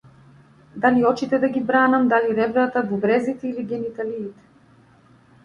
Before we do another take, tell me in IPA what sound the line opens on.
d̪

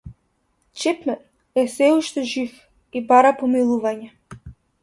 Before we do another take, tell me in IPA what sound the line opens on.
t͡ʃ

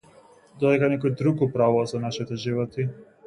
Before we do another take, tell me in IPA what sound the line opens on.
d̪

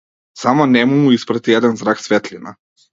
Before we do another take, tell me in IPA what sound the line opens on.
s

